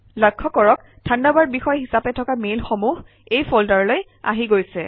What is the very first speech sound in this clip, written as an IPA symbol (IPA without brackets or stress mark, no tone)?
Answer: l